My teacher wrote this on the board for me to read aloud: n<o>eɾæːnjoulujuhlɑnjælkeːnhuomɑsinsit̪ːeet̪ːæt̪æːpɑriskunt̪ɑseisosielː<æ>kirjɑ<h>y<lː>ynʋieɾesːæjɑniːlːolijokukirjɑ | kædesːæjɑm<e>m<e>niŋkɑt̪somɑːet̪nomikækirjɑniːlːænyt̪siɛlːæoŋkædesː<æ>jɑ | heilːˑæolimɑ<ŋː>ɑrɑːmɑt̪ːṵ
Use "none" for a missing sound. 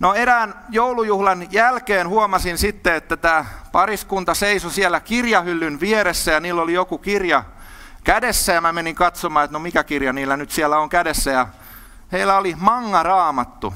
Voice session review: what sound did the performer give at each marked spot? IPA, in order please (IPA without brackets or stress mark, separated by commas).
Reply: o, æ, h, lː, æ, e, æ, ŋː